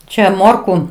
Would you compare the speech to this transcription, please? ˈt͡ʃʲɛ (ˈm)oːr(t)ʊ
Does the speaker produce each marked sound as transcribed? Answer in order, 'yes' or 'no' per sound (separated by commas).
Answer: yes, no